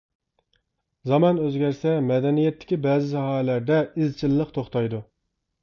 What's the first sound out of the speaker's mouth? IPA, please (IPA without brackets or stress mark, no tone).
z